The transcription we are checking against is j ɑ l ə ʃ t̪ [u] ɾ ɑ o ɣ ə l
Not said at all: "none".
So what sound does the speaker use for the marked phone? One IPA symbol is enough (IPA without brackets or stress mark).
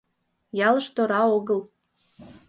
o